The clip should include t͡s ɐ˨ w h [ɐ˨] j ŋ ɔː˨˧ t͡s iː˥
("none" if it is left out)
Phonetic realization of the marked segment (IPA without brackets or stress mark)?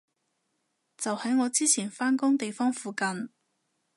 ɐ˨˥